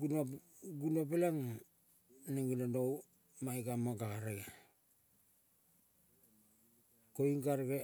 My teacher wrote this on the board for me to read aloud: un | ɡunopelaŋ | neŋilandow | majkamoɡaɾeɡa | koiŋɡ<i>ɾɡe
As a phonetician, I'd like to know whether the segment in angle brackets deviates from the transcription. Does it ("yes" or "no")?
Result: yes